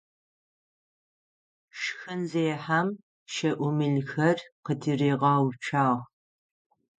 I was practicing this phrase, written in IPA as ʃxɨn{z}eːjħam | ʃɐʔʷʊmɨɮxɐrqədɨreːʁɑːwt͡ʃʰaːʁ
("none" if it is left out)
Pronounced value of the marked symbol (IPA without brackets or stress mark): z